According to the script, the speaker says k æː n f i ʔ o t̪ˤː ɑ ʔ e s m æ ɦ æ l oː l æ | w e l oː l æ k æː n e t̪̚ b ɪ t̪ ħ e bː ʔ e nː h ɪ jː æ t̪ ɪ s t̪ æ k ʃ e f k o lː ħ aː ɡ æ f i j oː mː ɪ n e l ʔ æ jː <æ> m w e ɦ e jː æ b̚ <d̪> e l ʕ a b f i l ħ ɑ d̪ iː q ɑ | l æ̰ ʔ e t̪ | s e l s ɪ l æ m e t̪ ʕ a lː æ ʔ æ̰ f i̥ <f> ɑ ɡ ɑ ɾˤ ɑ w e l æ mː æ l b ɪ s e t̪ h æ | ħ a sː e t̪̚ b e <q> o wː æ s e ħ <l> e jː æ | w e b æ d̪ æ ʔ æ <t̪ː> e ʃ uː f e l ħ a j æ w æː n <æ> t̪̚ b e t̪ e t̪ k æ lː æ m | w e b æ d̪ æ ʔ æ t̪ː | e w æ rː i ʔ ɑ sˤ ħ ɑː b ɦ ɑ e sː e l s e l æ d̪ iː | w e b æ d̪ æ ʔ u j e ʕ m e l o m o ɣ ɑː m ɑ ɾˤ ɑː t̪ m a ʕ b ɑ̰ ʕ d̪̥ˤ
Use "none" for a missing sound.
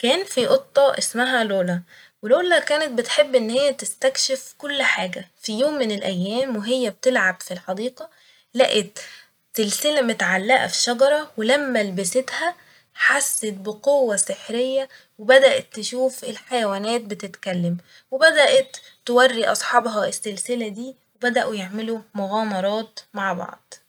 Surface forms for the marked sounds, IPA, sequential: æː, t̪, ʃ, q, ɾ, t̪ː, æː

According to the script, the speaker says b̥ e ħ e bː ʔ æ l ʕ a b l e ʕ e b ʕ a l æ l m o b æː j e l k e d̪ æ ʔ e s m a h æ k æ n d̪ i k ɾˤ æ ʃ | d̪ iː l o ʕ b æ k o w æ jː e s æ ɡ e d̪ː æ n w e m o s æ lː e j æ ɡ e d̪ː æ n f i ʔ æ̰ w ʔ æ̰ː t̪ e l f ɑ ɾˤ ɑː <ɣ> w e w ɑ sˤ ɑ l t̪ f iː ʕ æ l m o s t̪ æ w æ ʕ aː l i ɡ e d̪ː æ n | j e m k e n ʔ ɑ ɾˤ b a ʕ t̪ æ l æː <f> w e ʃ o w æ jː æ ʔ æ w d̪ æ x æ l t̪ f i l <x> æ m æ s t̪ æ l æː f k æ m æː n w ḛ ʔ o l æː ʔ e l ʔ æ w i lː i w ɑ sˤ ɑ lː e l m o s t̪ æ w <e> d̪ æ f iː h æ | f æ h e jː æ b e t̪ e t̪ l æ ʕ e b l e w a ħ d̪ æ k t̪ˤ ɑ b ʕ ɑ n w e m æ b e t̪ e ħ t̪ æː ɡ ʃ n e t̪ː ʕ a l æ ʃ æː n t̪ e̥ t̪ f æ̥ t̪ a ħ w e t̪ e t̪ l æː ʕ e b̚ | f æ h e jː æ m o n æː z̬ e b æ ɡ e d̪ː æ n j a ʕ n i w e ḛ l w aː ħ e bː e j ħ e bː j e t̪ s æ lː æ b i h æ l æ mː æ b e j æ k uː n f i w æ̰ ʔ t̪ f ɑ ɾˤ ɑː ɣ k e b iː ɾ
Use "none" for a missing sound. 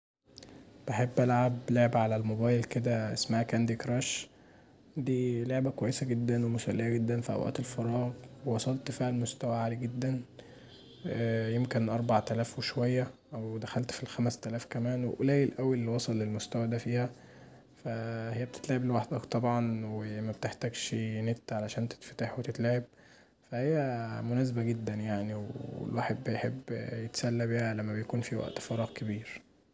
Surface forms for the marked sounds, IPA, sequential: ɣ, f, x, æ

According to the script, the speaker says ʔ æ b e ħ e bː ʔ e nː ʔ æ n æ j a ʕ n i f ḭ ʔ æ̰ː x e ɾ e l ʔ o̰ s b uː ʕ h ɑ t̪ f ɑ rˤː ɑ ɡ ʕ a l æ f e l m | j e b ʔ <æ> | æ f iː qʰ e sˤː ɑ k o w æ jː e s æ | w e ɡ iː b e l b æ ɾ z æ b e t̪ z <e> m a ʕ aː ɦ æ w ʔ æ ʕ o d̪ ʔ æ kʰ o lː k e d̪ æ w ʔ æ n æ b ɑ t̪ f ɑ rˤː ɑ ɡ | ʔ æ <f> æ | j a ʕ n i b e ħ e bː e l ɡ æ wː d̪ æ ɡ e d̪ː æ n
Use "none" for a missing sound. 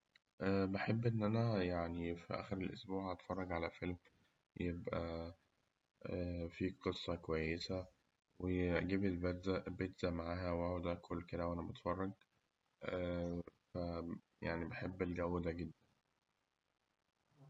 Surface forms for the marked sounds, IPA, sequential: æ, æ, f

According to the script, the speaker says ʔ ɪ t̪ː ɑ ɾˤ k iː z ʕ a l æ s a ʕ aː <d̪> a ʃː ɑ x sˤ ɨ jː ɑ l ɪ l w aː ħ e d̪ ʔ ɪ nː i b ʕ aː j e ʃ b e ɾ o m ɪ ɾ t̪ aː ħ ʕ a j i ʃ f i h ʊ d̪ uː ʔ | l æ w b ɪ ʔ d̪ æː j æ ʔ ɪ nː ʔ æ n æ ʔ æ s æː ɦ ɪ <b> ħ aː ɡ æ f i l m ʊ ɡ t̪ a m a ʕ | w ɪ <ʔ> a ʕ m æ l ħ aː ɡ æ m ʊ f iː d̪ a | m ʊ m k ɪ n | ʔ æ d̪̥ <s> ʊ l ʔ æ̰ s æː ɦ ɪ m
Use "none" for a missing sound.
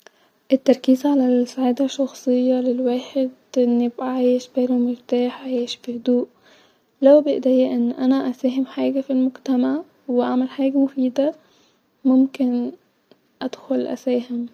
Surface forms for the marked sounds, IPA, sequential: d̪, m, ʔ, x

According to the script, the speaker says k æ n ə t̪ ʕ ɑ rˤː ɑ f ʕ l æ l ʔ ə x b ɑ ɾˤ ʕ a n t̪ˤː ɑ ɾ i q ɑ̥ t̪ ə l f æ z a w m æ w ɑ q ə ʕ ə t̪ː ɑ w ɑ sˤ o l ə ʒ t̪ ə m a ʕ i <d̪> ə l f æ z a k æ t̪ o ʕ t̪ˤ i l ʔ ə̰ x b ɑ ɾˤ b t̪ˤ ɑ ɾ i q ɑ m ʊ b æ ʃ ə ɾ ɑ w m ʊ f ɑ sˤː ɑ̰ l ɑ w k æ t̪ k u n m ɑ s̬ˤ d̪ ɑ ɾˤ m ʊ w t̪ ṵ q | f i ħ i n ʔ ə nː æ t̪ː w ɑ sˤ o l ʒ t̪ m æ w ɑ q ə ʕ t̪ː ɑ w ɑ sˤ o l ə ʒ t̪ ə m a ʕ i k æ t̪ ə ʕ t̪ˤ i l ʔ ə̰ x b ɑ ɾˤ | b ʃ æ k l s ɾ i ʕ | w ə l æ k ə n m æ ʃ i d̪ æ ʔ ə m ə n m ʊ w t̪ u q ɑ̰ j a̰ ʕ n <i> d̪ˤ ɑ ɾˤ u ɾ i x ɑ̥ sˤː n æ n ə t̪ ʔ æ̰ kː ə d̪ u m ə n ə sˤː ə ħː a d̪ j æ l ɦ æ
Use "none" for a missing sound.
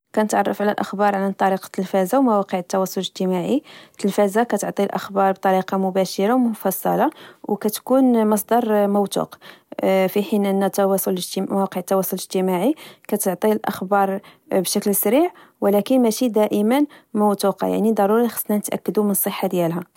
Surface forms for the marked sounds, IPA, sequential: t̪, i

